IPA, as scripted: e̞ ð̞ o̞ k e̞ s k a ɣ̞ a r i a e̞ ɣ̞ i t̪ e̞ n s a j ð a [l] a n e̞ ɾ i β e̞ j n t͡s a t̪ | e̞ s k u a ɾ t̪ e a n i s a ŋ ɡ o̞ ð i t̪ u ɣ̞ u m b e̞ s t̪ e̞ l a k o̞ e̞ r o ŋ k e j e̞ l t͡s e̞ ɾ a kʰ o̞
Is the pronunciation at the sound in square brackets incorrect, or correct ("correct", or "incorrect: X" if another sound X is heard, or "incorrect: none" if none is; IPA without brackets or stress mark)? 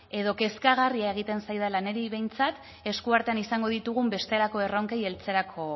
correct